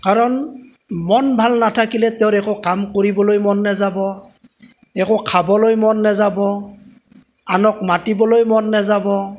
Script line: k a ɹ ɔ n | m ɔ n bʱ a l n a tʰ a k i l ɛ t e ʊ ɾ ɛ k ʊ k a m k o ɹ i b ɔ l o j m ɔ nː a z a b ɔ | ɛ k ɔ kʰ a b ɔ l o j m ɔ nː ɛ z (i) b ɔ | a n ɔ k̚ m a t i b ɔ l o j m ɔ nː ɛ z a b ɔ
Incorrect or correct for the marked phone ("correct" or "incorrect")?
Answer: incorrect